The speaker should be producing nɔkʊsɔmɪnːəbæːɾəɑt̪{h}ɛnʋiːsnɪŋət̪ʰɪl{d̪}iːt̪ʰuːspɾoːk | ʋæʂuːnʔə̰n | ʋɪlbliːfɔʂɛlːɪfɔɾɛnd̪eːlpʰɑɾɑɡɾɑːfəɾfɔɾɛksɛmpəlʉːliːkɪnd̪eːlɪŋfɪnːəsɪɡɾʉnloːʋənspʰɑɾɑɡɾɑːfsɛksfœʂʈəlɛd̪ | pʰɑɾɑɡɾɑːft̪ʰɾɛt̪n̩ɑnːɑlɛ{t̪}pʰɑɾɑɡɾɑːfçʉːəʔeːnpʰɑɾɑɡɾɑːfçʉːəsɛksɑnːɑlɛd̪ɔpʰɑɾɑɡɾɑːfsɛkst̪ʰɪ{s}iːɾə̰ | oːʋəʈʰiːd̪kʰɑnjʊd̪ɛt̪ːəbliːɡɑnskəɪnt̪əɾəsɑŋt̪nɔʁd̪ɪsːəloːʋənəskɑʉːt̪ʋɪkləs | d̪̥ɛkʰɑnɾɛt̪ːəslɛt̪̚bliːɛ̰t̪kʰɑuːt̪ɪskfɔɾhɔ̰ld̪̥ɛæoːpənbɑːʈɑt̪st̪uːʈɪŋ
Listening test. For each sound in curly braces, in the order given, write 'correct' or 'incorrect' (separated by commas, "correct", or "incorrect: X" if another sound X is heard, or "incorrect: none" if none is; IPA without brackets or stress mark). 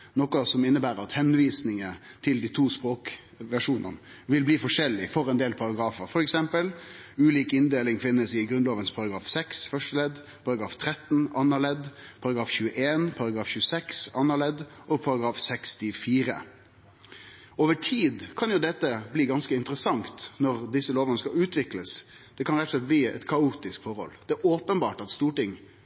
correct, correct, incorrect: d̪, incorrect: f